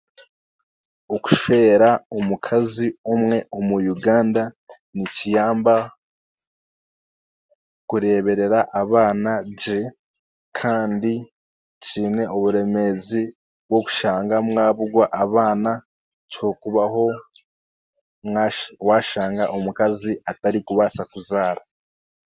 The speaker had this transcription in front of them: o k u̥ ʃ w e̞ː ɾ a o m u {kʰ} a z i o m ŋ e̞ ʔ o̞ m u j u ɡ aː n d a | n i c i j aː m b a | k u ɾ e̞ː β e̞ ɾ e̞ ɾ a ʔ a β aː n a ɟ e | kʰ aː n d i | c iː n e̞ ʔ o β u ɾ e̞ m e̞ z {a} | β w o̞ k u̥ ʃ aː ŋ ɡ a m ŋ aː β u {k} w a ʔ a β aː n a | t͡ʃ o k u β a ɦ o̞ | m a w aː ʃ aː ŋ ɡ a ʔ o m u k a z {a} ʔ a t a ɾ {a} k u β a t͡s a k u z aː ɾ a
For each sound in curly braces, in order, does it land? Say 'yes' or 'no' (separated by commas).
yes, no, no, no, no